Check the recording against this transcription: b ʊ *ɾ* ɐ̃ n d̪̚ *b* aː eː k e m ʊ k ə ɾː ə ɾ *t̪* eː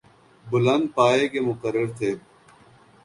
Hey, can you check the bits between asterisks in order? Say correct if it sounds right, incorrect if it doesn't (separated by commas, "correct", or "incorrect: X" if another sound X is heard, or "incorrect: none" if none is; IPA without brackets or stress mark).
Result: incorrect: l, incorrect: p, incorrect: t̪ʰ